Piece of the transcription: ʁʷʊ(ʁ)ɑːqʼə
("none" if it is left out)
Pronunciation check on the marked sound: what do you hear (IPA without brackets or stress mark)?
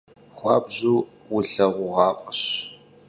ʁ